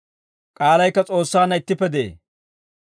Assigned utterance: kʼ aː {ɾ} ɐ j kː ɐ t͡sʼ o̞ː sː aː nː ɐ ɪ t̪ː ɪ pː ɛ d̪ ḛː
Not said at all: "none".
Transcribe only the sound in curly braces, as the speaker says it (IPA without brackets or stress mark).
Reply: l